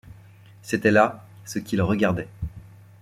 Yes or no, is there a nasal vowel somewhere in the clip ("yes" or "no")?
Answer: no